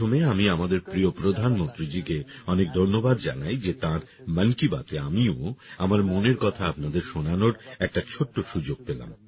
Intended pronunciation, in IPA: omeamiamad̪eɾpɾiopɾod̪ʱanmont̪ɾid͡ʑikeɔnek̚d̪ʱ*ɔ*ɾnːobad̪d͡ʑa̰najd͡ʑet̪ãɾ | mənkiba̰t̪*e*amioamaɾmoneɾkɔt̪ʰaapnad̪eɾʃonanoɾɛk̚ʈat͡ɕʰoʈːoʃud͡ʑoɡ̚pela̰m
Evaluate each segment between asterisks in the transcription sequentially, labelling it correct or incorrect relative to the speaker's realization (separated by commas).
incorrect, correct